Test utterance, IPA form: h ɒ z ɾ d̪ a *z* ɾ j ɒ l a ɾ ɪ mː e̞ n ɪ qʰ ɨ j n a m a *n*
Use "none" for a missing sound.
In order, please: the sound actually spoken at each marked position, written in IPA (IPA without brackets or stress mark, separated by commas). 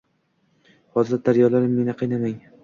none, ŋ